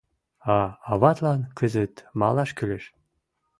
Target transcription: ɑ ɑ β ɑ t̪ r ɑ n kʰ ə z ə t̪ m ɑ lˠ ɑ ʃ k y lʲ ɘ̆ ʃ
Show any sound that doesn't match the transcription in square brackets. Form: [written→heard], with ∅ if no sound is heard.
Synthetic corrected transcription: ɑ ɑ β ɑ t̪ [r→l] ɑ n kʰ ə z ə t̪ m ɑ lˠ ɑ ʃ k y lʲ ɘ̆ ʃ

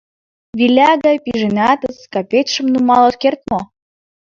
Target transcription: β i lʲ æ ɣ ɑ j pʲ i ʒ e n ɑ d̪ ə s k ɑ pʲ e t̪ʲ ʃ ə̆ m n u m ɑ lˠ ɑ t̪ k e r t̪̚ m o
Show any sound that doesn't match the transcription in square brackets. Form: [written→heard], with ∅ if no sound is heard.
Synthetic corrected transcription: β i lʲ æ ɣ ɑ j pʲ i ʒ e n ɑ [d̪→t̪] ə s k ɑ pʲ e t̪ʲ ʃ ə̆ m n u m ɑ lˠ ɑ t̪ k e r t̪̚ m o

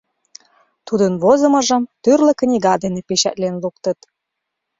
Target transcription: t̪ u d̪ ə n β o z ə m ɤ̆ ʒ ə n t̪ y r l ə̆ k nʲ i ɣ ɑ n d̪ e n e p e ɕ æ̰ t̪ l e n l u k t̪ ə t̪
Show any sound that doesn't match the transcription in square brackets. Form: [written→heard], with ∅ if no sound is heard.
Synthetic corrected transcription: t̪ u d̪ ə n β o z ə m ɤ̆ ʒ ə [n→m] t̪ y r l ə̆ k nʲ i ɣ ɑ [n→∅] d̪ e n e p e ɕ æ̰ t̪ l e n l u k t̪ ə t̪

